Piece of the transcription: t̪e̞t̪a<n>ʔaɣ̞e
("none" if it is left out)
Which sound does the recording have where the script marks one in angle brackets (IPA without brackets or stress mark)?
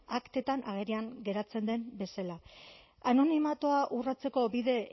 n